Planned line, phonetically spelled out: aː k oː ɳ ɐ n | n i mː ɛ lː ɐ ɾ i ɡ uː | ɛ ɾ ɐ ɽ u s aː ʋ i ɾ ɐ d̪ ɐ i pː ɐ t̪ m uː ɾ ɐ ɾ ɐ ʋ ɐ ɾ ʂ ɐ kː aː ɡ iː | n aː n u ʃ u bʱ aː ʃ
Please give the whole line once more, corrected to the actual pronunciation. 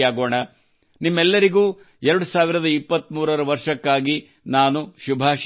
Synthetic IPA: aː ɡ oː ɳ ɐ | n i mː ɛ lː ɐ ɾ i ɡ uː | ɛ ɾ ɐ ɽ u s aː ʋ i ɾ ɐ d̪ ɐ i pː ɐ t̪ m uː ɾ ɐ ɾ ɐ ʋ ɐ ɾ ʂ ɐ kː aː ɡ i | n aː n u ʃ u bʱ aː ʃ